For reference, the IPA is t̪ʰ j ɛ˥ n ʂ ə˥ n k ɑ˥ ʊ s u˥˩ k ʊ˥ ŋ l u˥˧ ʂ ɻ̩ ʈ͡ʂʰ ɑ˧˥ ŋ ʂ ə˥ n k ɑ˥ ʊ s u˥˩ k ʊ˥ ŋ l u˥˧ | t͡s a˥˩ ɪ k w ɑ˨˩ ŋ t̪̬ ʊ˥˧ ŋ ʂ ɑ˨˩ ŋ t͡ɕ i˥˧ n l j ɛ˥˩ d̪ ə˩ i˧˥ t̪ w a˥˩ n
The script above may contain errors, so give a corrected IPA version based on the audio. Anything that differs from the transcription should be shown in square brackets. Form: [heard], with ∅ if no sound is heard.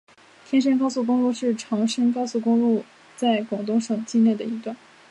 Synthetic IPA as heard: t̪ʰ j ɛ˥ n ʂ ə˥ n k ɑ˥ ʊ s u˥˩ k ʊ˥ ŋ l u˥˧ ʂ ɻ̩ ʈ͡ʂʰ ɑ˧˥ ŋ ʂ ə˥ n k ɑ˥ ʊ s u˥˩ k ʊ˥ ŋ l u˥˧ | t͡s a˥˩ ɪ k w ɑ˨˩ ŋ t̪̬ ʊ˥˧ ŋ ʂ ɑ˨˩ ŋ t͡ɕ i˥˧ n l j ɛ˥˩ d̪ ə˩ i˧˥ t̪ w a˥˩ n